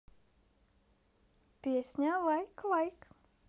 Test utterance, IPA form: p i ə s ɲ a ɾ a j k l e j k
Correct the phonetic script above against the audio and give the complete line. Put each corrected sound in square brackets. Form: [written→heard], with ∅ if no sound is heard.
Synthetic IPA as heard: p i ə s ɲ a [ɾ→l] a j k l [e→a] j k

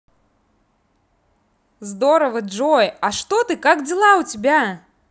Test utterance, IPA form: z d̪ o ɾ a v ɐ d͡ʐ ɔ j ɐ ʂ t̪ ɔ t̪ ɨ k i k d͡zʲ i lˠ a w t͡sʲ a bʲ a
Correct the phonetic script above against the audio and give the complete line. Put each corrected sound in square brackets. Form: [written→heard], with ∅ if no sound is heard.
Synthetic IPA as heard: z d̪ [o→ɔ] ɾ [a→ɐ] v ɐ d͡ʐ ɔ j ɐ ʂ t̪ ɔ t̪ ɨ k [i→a] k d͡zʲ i lˠ a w t͡sʲ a bʲ a

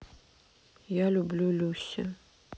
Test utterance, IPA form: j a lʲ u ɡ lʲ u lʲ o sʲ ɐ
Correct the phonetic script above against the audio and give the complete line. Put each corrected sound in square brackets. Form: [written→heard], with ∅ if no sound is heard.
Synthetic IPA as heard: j a lʲ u [ɡ→b] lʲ u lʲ [o→u] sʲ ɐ

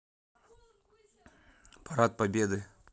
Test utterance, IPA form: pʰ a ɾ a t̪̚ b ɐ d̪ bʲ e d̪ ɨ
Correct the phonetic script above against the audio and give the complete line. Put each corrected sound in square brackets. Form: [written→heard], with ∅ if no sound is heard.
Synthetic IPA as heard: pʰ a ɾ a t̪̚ [b→p] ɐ [d̪→∅] bʲ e d̪ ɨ

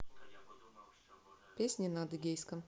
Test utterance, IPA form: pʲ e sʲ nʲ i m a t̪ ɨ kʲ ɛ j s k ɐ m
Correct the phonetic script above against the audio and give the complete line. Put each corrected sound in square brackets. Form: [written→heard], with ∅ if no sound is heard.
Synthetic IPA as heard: pʲ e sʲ nʲ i [m→n] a [t̪→d̪] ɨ [kʲ→ɡʲ] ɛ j s k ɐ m

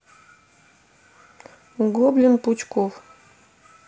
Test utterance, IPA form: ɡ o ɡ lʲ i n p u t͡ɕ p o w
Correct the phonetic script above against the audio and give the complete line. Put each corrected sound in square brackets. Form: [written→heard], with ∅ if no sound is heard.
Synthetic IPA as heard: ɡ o [ɡ→b] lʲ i n p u t͡ɕ [p→k] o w

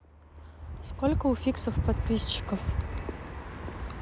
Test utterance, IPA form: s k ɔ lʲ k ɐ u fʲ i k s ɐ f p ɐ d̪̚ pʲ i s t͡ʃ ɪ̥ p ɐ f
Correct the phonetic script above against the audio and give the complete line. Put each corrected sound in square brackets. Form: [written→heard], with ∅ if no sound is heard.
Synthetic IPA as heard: s k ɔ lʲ k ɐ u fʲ i k s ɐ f p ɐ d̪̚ pʲ i s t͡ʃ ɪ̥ [p→k] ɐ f

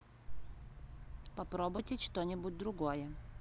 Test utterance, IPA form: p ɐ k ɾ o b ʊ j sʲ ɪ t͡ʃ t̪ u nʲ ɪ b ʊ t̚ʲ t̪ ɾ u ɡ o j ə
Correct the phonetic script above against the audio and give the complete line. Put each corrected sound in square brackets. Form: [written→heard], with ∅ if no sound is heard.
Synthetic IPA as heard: p ɐ [k→p] ɾ o b ʊ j [sʲ→tʲ] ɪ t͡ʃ t̪ [u→o] nʲ ɪ b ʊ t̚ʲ [t̪→d̪] ɾ [u→ʊ] ɡ o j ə

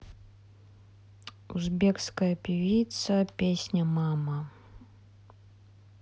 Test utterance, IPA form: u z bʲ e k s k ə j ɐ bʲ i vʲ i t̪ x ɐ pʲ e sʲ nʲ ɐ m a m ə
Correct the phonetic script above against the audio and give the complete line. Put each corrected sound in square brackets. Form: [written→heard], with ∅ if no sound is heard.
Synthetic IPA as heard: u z bʲ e k s k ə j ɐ [bʲ→pʲ] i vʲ i t̪ [x→s] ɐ pʲ e sʲ nʲ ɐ m a m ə

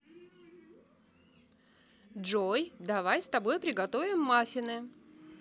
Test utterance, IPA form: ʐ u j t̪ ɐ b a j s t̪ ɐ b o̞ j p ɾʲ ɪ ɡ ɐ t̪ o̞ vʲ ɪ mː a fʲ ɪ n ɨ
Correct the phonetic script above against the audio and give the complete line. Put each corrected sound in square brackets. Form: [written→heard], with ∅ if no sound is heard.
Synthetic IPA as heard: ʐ [u→o] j [t̪→d̪] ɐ [b→v] a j s t̪ ɐ b o̞ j p ɾʲ ɪ ɡ ɐ t̪ o̞ vʲ ɪ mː a fʲ ɪ n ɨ

